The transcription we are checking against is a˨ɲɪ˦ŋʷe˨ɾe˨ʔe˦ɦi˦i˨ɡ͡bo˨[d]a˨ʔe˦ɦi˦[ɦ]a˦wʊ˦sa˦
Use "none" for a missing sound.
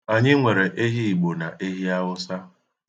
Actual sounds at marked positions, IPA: n, none

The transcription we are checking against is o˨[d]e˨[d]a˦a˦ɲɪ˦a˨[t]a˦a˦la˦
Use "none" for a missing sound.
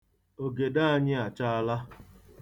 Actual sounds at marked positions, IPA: ɡ, d, t͡ʃ

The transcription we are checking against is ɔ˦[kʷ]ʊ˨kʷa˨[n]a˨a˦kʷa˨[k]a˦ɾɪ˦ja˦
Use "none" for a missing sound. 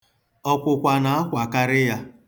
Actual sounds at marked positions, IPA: kʷ, n, k

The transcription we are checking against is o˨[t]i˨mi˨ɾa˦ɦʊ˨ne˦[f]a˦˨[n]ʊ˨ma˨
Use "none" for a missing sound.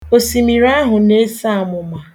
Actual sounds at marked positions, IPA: s, s, m

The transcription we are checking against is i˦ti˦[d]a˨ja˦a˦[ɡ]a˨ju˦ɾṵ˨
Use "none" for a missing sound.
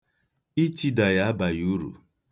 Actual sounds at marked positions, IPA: d, b

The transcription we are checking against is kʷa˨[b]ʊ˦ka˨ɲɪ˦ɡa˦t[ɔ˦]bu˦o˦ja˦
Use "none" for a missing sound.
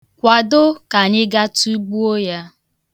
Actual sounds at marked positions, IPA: d, u˦

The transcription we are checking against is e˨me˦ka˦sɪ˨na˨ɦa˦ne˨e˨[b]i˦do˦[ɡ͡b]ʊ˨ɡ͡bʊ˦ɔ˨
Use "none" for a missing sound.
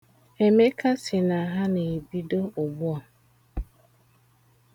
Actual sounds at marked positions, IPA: b, none

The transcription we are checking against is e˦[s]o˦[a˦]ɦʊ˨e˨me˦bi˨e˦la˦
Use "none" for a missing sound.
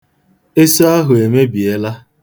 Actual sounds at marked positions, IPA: s, a˦

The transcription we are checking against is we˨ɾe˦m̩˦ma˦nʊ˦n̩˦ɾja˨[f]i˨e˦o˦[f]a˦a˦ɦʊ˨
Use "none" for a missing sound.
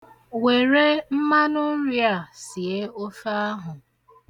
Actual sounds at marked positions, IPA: s, f

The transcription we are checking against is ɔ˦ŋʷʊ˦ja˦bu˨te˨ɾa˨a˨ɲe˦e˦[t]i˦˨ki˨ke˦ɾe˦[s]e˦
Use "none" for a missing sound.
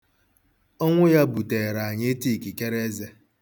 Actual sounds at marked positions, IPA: t, z

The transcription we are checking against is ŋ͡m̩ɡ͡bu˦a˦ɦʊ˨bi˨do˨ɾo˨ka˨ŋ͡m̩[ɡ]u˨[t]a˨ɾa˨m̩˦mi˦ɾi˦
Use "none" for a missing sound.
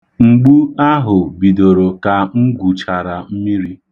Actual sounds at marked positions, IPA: ɡ, t͡ʃ

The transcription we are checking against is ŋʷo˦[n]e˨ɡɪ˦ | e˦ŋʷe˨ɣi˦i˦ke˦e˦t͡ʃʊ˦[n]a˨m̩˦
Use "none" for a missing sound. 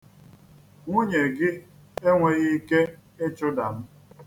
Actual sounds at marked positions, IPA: ɲ, d

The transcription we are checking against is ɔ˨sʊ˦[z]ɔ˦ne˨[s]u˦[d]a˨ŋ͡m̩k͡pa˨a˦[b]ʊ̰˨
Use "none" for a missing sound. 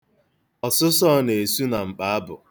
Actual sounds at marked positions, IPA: s, s, n, b

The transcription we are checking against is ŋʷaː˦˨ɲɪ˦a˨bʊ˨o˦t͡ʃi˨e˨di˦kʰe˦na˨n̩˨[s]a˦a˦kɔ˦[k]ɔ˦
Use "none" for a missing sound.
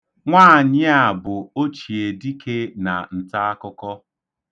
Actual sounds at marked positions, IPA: t, k

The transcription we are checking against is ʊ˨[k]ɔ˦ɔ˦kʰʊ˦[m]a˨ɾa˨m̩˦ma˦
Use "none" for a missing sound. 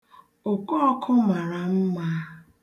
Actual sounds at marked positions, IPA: k, m

